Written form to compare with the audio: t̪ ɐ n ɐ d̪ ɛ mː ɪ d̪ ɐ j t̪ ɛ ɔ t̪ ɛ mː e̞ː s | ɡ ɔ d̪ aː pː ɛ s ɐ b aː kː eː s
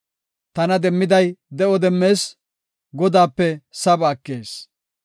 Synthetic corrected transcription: t̪ ɐ n ɐ d̪ ɛ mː ɪ d̪ ɐ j d̪ ɛ ɔ d̪ ɛ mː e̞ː s | ɡ ɔ d̪ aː pː ɛ s ɐ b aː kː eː s